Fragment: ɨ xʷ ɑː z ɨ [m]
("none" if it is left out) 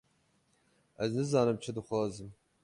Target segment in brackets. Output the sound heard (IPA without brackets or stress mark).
m